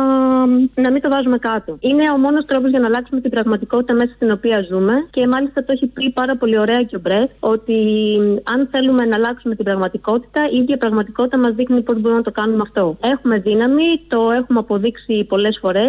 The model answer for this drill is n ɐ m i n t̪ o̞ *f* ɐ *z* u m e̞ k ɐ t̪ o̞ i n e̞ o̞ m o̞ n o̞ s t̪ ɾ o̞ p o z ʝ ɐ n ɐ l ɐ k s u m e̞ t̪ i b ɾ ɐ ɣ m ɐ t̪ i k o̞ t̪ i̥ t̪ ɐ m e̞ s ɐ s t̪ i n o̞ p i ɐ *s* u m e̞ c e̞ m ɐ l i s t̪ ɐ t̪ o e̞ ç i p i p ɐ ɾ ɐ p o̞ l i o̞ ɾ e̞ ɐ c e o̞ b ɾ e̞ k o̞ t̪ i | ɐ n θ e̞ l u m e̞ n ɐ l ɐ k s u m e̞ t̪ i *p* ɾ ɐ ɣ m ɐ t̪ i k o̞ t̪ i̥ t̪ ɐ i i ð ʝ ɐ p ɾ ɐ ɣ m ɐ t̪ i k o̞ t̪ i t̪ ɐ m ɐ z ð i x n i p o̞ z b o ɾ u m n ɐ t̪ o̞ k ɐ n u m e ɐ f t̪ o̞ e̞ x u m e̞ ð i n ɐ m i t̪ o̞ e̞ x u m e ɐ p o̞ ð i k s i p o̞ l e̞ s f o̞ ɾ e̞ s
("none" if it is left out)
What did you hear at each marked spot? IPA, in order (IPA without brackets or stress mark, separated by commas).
v, z, z, b